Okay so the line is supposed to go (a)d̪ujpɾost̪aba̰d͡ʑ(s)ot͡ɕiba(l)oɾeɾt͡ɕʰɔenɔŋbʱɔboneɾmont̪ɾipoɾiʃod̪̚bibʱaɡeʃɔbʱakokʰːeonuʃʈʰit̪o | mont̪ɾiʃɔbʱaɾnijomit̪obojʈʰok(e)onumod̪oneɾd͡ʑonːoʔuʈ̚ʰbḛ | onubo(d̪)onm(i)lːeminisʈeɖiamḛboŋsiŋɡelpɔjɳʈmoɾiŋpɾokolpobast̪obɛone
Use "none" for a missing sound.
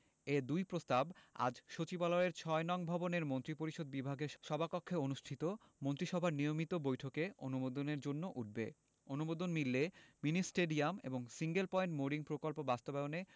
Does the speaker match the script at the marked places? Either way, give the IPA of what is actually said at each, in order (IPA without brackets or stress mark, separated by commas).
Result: e, ʃ, l, e, d̪, i